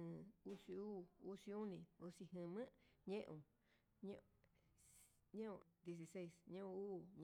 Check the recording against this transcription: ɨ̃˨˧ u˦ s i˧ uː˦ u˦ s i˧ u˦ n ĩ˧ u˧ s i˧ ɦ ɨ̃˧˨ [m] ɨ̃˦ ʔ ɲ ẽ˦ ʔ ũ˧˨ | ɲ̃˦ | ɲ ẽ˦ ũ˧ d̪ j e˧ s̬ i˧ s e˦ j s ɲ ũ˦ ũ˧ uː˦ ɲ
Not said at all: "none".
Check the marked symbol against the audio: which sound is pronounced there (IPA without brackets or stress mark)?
m